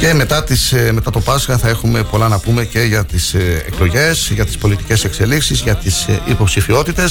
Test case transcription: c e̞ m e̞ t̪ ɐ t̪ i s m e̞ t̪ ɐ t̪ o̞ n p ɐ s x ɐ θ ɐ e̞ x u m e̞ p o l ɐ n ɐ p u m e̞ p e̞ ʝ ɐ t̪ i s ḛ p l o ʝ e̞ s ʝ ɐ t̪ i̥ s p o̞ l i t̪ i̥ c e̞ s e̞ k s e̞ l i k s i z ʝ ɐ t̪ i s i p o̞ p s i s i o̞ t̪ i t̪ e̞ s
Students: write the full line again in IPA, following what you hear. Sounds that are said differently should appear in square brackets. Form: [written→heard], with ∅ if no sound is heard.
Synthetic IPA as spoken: c e̞ m e̞ t̪ ɐ t̪ i s m e̞ t̪ ɐ t̪ o̞ [n→∅] p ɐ s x ɐ θ ɐ e̞ x u m e̞ p o l ɐ n ɐ p u m e̞ [p→c] e̞ ʝ ɐ t̪ i s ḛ [p→k] l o ʝ e̞ s ʝ ɐ t̪ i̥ s p o̞ l i t̪ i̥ c e̞ s e̞ k s e̞ l i k s i z ʝ ɐ t̪ i s i p o̞ p s i [s→f] i o̞ t̪ i t̪ e̞ s